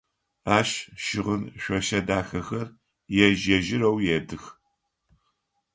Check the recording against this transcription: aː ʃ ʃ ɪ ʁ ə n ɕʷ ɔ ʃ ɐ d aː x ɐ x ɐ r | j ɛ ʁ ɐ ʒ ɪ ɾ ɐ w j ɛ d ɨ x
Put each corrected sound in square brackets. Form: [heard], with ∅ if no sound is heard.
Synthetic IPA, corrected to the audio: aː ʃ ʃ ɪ ʁ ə n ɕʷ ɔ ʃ ɐ d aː x ɐ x ɐ r | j ɛ [ʒ] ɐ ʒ ɪ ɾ ɐ w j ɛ d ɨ x